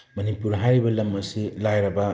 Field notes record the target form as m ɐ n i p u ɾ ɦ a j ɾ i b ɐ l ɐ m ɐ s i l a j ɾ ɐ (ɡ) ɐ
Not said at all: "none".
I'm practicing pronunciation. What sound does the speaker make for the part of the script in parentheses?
b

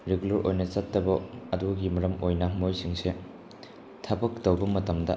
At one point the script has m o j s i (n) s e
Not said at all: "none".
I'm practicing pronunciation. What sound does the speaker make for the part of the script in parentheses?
ŋ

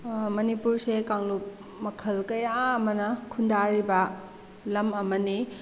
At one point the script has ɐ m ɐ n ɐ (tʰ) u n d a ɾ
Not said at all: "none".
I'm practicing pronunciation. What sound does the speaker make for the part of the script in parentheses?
kʰ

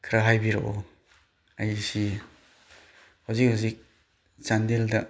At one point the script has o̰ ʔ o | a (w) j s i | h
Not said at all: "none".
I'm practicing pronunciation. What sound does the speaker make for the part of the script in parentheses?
none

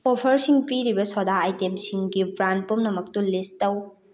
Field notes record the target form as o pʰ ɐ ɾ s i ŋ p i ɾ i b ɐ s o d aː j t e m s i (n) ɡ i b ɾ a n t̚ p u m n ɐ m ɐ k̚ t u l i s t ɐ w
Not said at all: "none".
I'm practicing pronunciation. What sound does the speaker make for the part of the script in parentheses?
ŋ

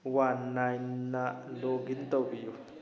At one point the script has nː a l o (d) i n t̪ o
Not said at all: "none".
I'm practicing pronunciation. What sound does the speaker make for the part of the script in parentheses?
ɡ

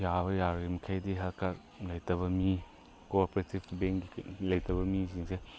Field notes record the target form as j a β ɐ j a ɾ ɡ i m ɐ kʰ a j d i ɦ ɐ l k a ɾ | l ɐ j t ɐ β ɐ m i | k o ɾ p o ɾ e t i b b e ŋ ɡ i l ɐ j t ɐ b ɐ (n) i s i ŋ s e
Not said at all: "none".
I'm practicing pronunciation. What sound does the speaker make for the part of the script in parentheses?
m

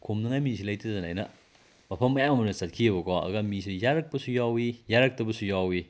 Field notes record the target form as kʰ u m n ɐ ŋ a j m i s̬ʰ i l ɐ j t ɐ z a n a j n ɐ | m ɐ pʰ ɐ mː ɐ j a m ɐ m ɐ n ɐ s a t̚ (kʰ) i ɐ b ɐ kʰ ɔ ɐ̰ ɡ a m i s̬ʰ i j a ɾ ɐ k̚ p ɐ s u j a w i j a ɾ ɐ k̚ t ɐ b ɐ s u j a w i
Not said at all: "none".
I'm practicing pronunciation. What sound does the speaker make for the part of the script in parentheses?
kʰ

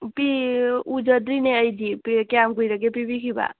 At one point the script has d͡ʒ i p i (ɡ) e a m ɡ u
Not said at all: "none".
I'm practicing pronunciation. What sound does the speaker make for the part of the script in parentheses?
k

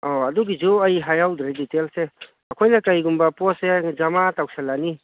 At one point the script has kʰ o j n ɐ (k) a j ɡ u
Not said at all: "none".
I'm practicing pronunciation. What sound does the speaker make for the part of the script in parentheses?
k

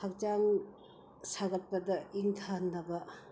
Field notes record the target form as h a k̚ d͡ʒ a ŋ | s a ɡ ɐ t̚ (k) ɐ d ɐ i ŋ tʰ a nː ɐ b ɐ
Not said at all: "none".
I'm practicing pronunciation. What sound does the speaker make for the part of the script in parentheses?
p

